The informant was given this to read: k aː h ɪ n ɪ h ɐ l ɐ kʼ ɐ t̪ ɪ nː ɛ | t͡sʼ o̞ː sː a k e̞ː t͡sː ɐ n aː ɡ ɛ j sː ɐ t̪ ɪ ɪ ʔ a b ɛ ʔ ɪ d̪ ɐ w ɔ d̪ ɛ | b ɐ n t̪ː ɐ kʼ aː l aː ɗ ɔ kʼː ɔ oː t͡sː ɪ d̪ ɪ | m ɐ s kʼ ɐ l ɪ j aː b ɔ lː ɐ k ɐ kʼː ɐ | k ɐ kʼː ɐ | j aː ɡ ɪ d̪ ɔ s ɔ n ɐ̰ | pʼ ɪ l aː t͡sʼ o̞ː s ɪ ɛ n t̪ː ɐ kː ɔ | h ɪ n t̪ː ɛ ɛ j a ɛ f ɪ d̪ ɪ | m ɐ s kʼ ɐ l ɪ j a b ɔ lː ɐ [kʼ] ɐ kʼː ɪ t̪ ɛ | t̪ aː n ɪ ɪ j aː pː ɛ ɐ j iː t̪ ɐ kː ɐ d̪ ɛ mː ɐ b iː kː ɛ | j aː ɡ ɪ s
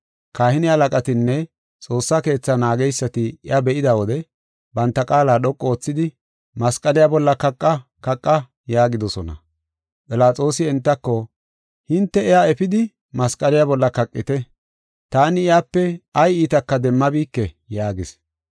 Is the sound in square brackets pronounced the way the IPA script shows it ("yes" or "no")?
no